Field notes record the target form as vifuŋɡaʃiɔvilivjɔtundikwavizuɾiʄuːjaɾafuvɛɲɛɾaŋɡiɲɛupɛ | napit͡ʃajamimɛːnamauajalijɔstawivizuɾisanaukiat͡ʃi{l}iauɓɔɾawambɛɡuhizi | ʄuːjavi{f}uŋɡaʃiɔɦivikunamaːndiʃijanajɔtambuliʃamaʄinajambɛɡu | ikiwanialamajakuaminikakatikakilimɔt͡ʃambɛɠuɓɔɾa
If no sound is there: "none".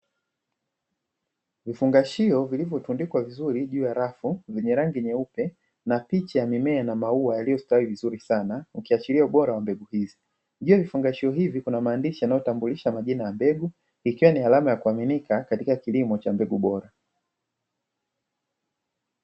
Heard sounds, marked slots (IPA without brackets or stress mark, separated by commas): l, f